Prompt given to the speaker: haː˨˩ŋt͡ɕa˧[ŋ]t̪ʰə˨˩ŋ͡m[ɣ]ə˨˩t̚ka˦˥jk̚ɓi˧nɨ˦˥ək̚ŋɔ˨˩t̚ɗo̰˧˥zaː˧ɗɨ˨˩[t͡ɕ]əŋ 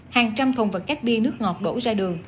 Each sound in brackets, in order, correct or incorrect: incorrect, incorrect, incorrect

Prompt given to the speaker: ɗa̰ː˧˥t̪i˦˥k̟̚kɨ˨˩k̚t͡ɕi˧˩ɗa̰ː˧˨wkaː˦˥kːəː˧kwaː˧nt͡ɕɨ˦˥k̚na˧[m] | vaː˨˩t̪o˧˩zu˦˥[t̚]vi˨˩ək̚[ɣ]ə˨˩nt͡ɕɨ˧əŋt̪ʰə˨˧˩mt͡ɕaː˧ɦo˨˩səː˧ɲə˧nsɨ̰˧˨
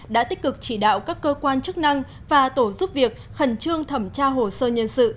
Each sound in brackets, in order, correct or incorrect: incorrect, incorrect, incorrect

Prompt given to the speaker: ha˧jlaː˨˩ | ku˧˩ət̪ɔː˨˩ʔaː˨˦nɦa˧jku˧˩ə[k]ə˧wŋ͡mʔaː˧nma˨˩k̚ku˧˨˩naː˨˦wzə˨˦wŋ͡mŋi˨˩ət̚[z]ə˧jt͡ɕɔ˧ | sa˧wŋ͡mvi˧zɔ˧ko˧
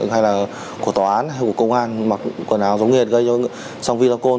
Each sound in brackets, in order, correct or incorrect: correct, incorrect

